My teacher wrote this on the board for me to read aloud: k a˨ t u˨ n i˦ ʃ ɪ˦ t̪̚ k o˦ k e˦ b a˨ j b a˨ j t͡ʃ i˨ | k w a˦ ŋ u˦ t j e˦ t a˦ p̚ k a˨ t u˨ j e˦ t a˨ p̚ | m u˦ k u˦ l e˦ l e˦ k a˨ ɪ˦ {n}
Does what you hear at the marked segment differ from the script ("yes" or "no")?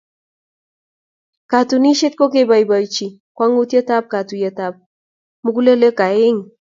yes